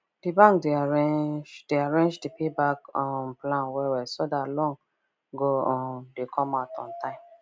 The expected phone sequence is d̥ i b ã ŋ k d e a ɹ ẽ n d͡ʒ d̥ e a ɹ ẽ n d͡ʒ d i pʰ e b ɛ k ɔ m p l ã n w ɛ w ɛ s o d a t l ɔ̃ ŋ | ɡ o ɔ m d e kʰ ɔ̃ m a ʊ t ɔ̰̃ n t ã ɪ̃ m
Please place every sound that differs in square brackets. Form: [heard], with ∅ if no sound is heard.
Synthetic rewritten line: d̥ i b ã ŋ k d e a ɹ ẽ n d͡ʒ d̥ e a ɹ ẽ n d͡ʒ d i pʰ e b [a] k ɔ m p l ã n w ɛ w ɛ s o d a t l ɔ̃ ŋ | ɡ o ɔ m d e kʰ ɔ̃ m a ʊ t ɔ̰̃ n t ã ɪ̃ m

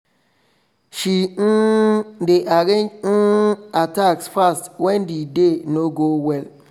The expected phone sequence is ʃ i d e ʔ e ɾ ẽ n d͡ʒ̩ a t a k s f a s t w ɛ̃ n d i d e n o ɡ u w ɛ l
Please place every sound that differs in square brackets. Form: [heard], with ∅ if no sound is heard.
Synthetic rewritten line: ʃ i d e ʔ [a] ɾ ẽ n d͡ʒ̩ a t a k s f a s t w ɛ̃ n d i d e n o ɡ [o] w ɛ l

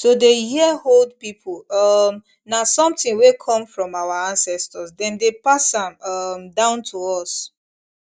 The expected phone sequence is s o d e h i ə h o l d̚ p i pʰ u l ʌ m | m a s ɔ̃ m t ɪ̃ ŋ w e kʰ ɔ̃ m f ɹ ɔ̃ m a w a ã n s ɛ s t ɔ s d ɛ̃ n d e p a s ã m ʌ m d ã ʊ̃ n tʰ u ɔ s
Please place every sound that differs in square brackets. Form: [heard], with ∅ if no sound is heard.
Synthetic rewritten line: s o d e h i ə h o l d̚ p i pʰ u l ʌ m | [n] a s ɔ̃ m t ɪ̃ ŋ w e kʰ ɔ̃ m f ɹ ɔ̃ m a w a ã n s ɛ s t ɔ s d ɛ̃ n d e p a s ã m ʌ m d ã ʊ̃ n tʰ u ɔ s

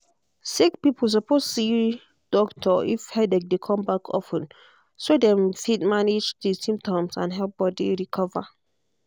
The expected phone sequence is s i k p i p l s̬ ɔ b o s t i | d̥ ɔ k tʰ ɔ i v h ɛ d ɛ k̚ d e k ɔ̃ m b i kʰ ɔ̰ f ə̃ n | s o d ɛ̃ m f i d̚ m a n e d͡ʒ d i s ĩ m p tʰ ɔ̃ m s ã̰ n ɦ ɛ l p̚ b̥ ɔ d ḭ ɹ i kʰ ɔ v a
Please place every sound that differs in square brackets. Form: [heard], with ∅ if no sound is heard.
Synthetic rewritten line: s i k p i p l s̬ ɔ [p] o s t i | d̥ ɔ k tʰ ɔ i [f] h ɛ d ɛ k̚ d e [kʰ] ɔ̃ m b [a] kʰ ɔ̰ f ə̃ n | s o d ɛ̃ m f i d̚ m a n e d͡ʒ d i s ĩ m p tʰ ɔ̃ m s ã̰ n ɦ ɛ l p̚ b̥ ɔ d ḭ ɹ i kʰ ɔ v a

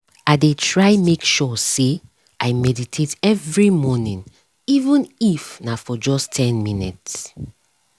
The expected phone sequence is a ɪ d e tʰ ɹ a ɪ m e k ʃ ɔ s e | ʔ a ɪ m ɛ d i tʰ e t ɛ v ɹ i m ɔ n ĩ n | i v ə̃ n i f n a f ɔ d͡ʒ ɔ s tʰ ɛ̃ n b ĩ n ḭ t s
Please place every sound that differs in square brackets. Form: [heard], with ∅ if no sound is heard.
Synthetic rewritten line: a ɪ d e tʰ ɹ a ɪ m e k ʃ ɔ s e | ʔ a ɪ m ɛ d i tʰ e t ɛ v ɹ i m ɔ n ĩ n | i v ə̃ n i f n a f ɔ d͡ʒ ɔ s tʰ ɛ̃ n [m] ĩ n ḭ t s

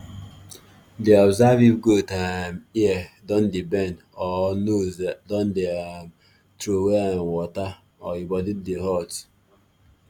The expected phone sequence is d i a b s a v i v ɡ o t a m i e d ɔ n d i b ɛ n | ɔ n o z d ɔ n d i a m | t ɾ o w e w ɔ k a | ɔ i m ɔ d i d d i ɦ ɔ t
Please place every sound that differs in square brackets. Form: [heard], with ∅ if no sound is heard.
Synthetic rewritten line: d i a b [z] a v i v ɡ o t a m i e d ɔ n d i b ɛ n | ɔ n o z d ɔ n d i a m | t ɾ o w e w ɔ [t] a | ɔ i [b] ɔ d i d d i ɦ ɔ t

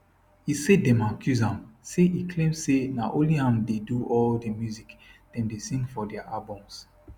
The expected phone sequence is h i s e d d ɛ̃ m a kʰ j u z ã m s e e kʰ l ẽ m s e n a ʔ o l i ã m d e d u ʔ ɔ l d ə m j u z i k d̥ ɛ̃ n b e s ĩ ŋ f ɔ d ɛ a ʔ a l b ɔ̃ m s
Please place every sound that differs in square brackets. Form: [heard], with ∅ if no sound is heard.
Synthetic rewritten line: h i s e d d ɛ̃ m a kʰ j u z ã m s e [i] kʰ l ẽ m s e n a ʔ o l i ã m d e d u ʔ ɔ l d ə m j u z i k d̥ ɛ̃ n [d] e s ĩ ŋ f ɔ d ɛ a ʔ a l b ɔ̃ m s

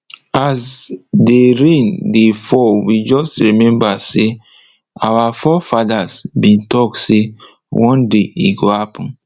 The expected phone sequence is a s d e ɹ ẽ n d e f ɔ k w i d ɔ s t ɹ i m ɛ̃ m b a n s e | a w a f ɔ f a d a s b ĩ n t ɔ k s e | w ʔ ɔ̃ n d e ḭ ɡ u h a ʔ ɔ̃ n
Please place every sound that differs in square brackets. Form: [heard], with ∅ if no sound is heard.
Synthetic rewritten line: a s d e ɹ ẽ n d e f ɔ [∅] w i [d͡ʒ] ɔ s t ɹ i m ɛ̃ m b a [∅] s e | a w a f ɔ f a d a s b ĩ n t ɔ k s e | w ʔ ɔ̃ n d e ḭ ɡ [o] h a [p] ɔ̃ n

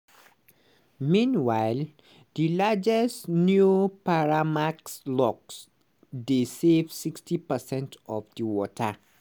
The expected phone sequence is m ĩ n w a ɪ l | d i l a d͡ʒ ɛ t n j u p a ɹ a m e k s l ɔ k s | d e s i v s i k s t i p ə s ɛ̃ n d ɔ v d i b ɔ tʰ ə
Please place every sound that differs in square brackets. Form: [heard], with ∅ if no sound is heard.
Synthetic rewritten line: m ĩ n w a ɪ l | d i l a d͡ʒ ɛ [s] n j u p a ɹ a m [a] k s l ɔ k s | d e s [e] v s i k s t i p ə s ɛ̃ n [t] ɔ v d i [w] ɔ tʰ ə

